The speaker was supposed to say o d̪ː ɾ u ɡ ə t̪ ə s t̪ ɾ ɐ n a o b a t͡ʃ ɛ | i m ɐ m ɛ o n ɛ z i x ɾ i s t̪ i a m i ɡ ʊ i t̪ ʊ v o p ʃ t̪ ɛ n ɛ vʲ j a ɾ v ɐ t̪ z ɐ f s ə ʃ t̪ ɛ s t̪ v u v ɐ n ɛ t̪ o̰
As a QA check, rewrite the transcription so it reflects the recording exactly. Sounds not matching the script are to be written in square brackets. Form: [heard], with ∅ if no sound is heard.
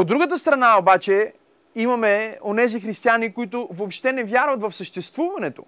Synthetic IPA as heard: o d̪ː ɾ u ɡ ə t̪ ə s t̪ ɾ ɐ n a o b a t͡ʃ ɛ | i m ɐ m ɛ o n ɛ z i x ɾ i s t̪ i a [n] i [k] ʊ i t̪ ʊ v o p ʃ t̪ ɛ n ɛ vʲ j a ɾ v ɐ t̪ [v] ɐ f s ə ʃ t̪ ɛ s t̪ v u v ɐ n ɛ t̪ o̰